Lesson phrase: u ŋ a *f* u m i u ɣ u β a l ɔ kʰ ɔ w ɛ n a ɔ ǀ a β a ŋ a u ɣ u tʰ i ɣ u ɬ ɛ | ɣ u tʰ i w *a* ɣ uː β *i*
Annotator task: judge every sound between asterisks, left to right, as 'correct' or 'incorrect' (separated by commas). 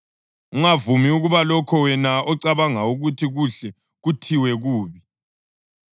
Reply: incorrect, incorrect, correct